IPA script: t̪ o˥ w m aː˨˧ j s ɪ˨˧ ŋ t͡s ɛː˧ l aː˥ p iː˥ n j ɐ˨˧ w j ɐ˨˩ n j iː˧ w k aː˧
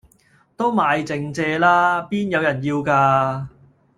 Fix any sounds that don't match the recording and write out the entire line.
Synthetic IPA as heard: t̪ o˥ w m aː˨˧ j t͡s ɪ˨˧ ŋ t͡s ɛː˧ l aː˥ p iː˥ n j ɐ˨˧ w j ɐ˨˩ n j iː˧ w k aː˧